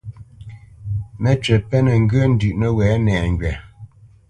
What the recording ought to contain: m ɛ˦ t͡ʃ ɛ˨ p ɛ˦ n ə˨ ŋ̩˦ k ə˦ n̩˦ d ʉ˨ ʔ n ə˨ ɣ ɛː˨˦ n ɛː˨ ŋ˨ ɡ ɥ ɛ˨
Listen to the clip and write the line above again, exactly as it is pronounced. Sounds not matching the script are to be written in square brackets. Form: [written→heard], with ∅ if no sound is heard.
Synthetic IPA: m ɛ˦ t͡ʃ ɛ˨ p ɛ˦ n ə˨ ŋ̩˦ [k→ɡ] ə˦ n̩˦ d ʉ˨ ʔ n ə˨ [ɣ→w] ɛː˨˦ n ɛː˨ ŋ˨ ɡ ɥ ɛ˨